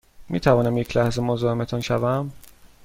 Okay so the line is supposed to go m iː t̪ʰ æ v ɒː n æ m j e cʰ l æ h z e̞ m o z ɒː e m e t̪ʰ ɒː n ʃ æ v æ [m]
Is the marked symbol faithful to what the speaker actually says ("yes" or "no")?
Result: yes